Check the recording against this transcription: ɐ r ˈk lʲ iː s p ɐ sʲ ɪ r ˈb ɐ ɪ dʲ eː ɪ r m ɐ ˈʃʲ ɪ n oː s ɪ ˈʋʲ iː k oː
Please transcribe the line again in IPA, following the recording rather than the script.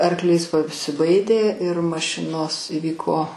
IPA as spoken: ɐ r ˈk lʲ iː s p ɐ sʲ ɪ ˈb ɐ ɪ dʲ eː ɪ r m ɐ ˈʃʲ ɪ n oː s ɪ ˈʋʲ iː k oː